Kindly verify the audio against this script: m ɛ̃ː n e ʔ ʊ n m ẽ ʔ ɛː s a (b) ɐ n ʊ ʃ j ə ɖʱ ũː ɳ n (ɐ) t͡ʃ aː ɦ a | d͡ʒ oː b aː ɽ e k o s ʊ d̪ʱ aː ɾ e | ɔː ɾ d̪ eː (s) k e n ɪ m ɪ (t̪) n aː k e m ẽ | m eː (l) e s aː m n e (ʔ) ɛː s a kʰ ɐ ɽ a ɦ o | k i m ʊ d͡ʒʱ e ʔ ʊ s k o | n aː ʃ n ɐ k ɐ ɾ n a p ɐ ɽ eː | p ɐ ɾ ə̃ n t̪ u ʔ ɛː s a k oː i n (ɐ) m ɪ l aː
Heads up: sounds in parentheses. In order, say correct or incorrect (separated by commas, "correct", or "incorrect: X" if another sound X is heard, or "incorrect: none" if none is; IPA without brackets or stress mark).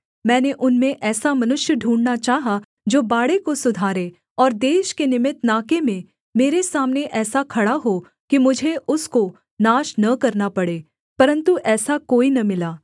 incorrect: m, incorrect: a, incorrect: ʃ, correct, incorrect: ɾ, correct, correct